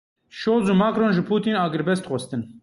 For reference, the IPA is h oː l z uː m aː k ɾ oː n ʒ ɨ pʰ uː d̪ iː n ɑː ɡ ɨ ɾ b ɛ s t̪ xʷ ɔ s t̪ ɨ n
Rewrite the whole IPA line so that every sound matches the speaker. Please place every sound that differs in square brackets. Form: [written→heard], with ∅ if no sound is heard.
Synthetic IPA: [h→ʃ] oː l z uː m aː k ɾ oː n ʒ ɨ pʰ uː [d̪→t̪] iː n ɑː ɡ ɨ ɾ b ɛ s t̪ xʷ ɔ s t̪ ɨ n